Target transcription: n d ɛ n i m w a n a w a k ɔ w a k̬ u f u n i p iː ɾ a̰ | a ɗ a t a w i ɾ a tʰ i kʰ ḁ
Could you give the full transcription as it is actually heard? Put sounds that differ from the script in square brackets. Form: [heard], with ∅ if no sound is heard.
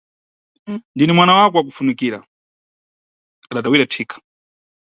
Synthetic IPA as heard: n d [i] n i m w a n a w a k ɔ w a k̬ u f u n i [k] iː ɾ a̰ | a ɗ a t a w i ɾ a tʰ i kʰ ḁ

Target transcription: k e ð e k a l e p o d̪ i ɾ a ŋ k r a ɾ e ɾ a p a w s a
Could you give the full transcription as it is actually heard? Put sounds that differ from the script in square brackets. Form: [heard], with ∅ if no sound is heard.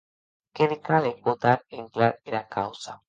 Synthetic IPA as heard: k e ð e k a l e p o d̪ [a] ɾ [e] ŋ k [l] a ɾ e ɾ a [k] a w s a

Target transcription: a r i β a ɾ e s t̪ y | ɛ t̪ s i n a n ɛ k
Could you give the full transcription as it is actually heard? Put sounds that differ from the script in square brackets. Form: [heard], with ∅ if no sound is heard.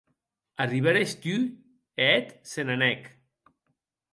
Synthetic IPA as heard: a r i β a ɾ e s t̪ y | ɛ t̪ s [e] n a n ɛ k

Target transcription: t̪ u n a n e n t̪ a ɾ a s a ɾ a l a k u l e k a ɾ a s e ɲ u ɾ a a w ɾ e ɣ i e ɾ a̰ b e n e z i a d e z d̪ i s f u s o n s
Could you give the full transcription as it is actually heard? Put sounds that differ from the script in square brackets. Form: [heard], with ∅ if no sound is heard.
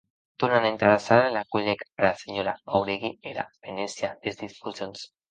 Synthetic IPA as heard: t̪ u n a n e n t̪ a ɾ a s a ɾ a l a k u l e k a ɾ a s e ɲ [o] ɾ a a w ɾ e ɣ i e ɾ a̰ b e n e [s] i a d e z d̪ i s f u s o n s

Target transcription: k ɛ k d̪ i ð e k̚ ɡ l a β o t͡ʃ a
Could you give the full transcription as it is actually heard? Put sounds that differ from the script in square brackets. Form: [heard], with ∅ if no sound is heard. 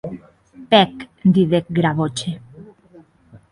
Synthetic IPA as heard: [p] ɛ k d̪ i ð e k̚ ɡ [ɾ] a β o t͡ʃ [e]

